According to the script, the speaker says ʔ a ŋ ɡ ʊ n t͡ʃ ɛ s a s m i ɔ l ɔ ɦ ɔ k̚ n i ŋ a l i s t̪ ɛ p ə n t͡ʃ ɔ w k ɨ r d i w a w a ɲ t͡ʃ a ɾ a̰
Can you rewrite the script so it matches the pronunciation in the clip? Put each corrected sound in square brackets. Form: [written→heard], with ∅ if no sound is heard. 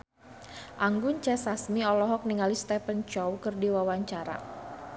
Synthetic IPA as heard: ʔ a ŋ ɡ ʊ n t͡ʃ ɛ s a s m i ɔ l ɔ ɦ ɔ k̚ n i ŋ a l i s t̪ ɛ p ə n t͡ʃ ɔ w k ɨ r d i w a w a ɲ t͡ʃ a ɾ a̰